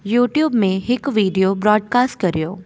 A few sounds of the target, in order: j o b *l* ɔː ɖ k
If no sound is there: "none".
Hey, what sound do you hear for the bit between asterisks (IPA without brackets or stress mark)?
ɾ